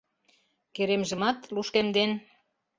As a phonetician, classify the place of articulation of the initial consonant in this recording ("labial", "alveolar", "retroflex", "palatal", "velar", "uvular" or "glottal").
velar